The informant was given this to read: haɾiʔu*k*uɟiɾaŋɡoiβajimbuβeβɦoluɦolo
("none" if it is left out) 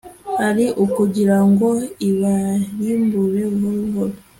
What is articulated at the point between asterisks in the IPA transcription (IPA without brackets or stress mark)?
k